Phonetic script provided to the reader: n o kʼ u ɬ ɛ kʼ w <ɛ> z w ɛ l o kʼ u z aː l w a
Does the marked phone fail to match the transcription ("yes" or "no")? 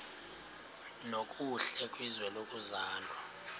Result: yes